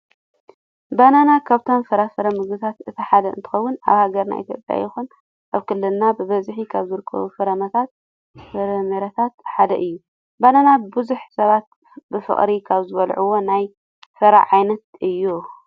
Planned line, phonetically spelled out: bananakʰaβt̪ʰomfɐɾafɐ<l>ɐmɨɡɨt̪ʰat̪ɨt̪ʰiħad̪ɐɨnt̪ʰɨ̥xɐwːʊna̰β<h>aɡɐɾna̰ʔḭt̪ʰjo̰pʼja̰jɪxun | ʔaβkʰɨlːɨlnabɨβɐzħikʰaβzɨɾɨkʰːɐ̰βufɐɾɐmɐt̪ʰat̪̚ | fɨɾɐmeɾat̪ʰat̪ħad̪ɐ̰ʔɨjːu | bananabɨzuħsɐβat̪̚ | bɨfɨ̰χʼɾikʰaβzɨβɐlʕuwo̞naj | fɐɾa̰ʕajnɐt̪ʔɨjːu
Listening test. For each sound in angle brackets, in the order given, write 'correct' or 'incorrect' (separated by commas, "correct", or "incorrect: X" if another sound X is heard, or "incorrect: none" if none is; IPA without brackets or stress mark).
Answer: incorrect: ɾ, correct